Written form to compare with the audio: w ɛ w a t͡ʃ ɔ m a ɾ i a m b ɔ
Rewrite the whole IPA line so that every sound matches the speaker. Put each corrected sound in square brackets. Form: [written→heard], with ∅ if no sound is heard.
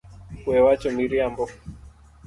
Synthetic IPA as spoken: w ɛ w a t͡ʃ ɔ m [a→i] ɾ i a m b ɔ